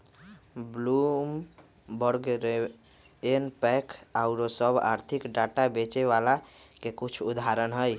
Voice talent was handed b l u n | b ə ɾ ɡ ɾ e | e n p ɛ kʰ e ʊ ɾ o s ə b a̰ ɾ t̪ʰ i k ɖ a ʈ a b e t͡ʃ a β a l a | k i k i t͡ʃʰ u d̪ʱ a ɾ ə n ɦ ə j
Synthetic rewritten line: b l u m | b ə ɾ ɡ ɾ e | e n p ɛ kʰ a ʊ ɾ o s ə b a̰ ɾ t̪ʰ i k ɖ a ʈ a b e t͡ʃ e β a l a | k e k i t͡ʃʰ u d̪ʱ a ɾ ə n ɦ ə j